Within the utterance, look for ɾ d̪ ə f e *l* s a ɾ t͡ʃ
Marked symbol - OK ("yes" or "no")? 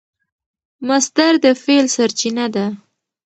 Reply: yes